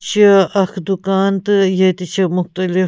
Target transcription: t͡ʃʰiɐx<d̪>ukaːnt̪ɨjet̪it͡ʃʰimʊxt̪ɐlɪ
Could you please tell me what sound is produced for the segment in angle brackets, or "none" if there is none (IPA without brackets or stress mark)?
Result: d̪